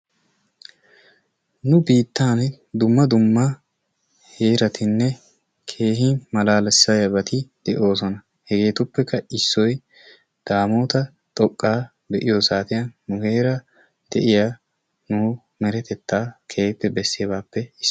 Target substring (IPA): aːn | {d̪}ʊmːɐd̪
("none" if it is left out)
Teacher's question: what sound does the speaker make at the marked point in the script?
d̪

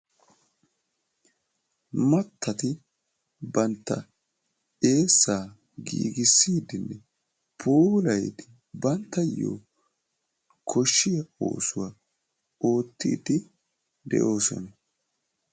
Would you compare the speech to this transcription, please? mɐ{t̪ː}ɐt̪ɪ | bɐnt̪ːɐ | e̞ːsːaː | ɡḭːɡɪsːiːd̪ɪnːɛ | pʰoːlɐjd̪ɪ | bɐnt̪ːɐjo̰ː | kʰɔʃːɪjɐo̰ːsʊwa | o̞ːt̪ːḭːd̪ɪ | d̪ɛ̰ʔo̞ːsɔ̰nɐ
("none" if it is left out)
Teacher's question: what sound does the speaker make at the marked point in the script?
t̪ː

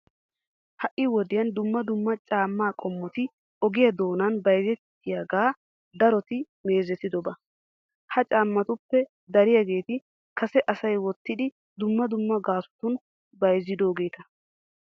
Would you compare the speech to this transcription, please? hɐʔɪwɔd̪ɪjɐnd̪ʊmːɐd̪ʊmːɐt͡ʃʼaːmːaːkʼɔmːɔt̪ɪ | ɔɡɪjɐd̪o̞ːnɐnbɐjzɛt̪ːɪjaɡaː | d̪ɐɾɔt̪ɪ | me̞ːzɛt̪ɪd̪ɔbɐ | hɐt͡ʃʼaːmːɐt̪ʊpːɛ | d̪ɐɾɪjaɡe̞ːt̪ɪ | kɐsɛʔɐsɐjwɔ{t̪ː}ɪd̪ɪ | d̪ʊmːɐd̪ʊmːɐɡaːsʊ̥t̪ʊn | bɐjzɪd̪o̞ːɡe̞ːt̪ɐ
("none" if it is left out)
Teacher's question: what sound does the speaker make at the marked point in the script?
t̪ː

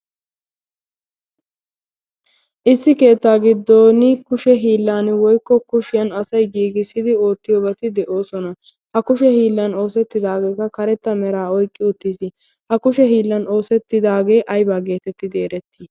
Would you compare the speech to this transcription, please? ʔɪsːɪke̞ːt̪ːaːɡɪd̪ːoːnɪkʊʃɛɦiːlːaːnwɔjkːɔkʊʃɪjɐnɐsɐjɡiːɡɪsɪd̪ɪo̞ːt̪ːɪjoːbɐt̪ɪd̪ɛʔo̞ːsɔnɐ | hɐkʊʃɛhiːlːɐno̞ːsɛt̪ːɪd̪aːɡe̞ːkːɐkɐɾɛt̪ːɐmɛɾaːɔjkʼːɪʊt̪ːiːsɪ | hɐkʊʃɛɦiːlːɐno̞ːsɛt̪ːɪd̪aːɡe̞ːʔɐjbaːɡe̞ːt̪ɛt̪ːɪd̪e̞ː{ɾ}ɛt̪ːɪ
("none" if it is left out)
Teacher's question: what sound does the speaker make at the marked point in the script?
ɾ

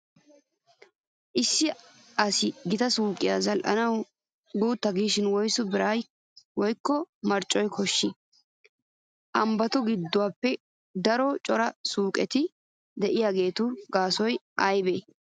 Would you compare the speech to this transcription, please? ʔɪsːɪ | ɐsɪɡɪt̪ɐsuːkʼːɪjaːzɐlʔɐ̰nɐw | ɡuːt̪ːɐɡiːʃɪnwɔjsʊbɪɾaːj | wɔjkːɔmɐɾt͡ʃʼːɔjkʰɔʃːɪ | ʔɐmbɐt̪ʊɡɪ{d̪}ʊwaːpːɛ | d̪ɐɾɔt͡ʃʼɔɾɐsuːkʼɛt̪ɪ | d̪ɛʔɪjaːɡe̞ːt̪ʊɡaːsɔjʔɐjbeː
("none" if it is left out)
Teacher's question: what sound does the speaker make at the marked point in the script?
d̪ː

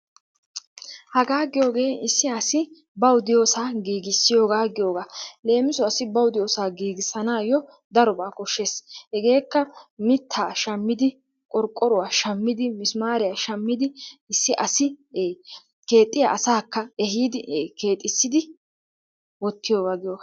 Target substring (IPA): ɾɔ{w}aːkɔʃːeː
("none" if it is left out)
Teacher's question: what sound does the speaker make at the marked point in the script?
b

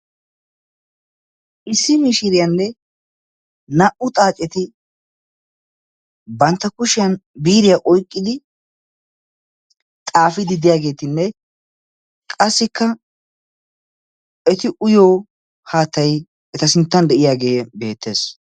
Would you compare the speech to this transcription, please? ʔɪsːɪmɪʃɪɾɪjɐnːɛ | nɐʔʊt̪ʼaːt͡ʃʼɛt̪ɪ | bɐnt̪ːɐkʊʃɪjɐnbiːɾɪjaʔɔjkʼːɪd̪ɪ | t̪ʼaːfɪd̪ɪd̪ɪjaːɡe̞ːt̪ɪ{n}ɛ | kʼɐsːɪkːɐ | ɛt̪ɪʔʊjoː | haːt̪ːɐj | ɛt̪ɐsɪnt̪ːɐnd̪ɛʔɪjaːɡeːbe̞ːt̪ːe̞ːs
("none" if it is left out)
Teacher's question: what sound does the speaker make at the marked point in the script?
nː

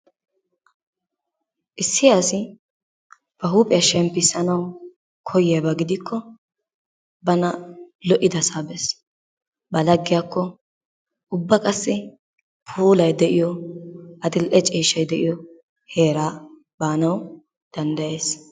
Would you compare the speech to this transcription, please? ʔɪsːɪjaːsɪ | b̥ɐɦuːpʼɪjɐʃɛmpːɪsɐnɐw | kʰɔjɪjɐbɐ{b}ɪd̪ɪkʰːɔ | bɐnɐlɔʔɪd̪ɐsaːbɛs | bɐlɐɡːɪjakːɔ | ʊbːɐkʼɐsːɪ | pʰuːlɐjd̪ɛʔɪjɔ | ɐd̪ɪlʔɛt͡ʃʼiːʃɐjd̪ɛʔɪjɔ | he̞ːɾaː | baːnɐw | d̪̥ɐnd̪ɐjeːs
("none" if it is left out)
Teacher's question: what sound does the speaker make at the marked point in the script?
ɡ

